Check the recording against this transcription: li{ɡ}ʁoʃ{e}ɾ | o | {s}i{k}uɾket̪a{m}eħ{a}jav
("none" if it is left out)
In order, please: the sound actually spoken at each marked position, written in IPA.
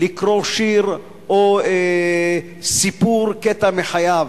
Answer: k, i, s, p, m, a

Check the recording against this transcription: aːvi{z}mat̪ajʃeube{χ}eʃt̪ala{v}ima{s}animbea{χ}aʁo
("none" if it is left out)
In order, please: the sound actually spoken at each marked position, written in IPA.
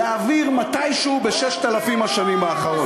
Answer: ʁ, ʃ, f, ʃ, χ

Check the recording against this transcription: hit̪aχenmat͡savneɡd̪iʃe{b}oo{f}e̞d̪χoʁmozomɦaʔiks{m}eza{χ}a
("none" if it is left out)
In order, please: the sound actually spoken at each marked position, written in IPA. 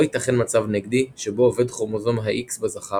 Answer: b, v, b, χ

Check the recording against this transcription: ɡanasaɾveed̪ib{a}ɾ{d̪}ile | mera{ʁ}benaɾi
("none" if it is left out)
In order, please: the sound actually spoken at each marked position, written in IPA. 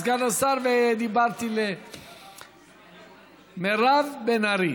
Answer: a, t̪, v

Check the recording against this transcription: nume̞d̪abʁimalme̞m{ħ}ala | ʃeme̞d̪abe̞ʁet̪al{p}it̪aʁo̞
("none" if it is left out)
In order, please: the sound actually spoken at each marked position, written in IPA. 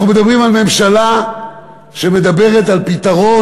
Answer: ʃ, p

